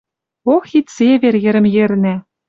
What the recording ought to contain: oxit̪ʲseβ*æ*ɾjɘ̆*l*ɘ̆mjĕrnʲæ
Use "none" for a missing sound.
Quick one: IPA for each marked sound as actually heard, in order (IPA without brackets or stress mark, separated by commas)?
e, ɾ